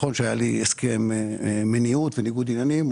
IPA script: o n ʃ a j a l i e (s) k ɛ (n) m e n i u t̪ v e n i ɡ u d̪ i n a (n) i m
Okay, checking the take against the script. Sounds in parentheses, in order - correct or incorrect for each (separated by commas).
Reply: correct, incorrect, correct